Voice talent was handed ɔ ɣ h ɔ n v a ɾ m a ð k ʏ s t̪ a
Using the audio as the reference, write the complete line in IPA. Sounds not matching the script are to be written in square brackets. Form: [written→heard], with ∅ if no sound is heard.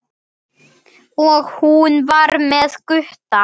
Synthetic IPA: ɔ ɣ h [ɔ→u] n v a ɾ m [a→ɛ] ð k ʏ [s→h] t̪ a